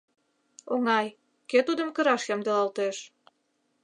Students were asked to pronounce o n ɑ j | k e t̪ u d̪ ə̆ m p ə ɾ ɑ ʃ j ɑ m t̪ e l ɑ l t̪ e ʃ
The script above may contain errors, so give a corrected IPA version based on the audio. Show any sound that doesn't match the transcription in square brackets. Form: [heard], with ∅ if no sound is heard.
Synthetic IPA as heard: o [ŋ] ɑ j | k e t̪ u d̪ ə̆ m [k] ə ɾ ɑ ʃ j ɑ m [d̪] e l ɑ l t̪ e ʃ